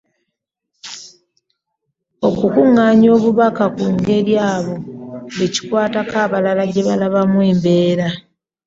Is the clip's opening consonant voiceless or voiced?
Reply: voiceless